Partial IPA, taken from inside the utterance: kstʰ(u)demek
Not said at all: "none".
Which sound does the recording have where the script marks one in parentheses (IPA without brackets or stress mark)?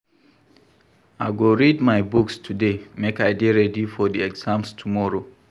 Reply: u